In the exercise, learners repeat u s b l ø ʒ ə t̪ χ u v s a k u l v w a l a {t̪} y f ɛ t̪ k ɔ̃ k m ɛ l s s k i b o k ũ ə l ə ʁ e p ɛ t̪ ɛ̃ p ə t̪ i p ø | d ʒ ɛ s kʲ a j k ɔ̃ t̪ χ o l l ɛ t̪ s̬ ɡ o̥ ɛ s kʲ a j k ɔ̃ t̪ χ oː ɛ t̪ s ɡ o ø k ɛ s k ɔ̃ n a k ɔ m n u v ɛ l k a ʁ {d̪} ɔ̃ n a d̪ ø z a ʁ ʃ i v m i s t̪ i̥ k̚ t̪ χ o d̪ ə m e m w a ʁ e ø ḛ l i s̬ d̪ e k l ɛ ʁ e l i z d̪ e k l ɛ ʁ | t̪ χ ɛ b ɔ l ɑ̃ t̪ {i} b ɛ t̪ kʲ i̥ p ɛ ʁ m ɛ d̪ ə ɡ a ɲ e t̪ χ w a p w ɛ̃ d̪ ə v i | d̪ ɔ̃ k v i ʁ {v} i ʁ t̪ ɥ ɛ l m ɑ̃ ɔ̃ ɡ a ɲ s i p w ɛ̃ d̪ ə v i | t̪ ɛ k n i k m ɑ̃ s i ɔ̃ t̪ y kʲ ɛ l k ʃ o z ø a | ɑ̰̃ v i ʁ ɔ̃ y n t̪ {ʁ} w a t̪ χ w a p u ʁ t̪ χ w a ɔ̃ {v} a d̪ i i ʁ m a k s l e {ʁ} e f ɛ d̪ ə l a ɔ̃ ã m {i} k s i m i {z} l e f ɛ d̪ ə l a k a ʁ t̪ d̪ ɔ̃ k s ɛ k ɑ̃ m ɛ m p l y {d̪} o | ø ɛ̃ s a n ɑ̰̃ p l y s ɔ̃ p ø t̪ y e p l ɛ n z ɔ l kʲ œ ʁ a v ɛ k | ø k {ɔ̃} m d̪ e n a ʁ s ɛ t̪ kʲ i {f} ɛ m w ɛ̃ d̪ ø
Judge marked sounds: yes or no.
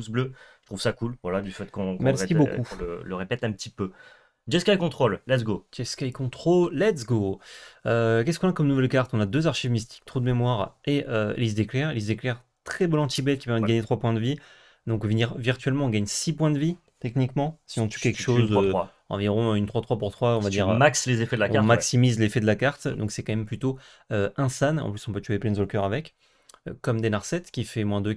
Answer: no, no, yes, yes, no, yes, no, no, yes, no, no, yes

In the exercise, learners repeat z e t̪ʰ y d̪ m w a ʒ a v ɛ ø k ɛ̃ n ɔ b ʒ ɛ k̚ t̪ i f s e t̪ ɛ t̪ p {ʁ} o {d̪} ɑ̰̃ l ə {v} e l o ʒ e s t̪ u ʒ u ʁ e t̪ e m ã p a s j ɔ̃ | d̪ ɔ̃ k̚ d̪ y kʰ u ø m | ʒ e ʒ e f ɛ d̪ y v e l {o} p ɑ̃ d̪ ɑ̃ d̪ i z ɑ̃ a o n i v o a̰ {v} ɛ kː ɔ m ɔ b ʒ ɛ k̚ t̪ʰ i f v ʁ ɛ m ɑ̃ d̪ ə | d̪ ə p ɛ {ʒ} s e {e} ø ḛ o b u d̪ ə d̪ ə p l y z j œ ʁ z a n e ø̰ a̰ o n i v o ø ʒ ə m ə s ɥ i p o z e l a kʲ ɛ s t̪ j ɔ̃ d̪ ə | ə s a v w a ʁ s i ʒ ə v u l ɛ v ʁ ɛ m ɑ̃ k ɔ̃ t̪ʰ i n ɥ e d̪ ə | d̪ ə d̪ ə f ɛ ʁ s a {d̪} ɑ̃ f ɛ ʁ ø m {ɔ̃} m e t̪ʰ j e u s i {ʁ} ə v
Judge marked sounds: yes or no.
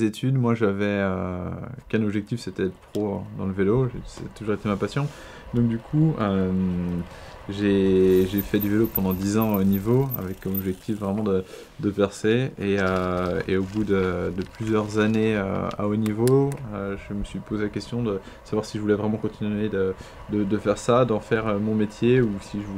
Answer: no, yes, yes, yes, yes, no, yes, yes, yes, no

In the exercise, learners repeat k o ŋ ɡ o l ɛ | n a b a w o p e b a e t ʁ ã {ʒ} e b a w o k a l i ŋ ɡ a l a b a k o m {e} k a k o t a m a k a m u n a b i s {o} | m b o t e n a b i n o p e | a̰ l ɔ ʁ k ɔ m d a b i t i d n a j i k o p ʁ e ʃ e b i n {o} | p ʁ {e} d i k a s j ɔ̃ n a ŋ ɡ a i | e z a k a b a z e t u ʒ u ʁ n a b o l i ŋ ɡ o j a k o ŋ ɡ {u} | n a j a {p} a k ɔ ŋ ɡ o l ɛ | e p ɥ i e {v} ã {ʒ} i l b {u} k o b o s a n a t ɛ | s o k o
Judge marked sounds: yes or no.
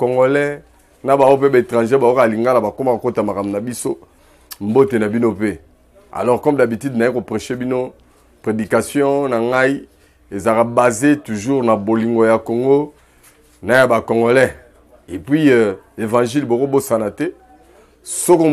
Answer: yes, no, yes, yes, yes, no, no, yes, yes, no

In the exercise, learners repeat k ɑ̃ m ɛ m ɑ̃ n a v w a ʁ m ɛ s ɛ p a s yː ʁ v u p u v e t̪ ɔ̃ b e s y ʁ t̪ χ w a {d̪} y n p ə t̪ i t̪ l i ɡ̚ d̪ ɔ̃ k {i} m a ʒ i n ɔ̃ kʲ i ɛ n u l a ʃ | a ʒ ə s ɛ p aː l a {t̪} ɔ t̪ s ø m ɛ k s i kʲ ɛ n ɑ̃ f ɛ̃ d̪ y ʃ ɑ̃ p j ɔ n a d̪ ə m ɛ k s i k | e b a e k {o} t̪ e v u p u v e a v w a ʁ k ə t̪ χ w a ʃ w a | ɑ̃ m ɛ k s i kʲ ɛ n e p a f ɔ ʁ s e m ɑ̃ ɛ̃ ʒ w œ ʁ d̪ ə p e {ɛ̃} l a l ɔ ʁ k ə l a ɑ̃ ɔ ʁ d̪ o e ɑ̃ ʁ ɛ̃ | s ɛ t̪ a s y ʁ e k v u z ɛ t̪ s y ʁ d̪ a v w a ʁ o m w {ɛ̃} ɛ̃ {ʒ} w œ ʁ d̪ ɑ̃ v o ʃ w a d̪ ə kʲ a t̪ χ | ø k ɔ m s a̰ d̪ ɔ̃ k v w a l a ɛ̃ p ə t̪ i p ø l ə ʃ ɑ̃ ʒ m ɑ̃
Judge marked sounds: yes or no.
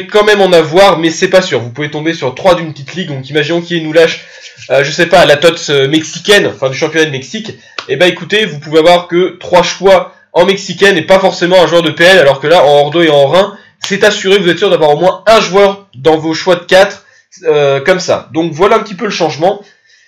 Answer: yes, yes, yes, no, no, yes, yes

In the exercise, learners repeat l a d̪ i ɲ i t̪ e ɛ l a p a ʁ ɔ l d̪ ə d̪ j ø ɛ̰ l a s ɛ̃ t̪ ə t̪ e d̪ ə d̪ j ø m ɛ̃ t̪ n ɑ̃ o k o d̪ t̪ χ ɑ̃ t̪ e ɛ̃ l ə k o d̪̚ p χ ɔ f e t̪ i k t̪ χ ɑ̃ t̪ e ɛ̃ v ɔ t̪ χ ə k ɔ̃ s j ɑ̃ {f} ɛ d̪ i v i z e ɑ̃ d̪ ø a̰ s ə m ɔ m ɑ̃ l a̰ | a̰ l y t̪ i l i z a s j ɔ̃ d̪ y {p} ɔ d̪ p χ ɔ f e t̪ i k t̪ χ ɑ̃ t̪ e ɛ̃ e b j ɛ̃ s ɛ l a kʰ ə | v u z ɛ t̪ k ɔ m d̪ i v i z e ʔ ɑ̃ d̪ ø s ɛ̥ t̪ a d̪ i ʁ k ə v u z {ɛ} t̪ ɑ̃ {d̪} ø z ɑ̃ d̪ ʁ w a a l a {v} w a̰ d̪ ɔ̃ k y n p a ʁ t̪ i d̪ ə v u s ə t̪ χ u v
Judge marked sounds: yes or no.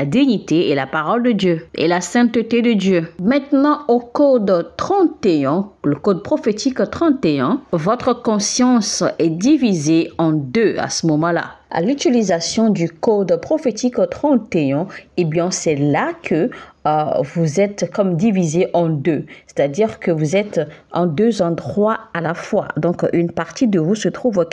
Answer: no, no, yes, yes, no

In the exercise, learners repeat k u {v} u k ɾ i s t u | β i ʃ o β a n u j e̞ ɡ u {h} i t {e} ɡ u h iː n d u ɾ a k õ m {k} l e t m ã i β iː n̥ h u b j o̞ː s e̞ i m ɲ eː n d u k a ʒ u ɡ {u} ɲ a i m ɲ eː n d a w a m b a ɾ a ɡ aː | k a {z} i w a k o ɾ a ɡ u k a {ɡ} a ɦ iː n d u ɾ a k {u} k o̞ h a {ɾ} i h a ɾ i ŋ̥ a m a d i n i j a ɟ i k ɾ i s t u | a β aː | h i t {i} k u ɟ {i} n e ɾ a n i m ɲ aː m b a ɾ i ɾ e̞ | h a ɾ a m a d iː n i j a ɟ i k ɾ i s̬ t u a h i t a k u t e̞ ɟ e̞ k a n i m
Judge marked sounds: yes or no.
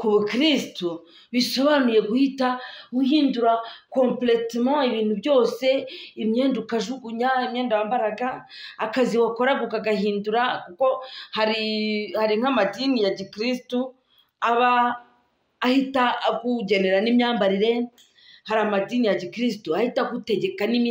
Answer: no, yes, no, no, yes, yes, yes, yes, yes, no, no

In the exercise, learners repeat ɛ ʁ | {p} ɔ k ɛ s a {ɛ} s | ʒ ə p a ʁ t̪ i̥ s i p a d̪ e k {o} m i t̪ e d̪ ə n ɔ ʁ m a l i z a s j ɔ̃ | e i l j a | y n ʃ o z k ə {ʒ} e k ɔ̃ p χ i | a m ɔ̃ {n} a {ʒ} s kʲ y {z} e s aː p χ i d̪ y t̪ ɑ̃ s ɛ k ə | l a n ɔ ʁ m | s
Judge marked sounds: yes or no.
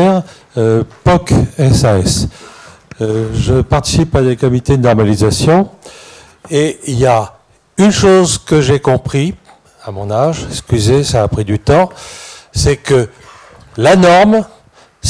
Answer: yes, yes, no, yes, yes, yes, yes

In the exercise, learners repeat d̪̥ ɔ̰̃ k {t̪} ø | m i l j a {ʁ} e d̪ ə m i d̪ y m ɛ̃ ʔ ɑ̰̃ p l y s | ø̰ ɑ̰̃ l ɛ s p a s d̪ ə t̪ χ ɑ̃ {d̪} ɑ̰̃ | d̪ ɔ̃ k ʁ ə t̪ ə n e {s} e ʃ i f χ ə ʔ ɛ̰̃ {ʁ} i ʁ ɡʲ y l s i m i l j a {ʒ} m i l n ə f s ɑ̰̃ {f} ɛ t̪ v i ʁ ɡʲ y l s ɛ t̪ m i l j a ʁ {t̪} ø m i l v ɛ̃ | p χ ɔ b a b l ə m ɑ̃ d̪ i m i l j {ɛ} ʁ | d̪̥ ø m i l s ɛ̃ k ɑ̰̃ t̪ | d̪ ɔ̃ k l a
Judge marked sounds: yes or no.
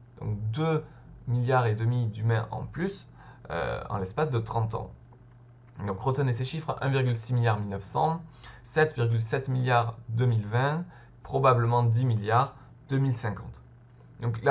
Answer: no, yes, no, yes, no, no, no, no, no

